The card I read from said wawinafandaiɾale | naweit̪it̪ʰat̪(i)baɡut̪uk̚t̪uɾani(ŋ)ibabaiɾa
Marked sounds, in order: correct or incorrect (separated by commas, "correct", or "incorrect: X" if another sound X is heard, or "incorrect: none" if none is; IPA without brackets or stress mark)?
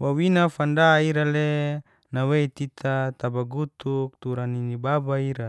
incorrect: a, incorrect: n